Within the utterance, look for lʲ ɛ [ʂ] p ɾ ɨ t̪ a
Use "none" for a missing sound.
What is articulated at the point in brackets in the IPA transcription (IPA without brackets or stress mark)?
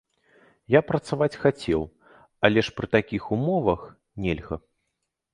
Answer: ʂ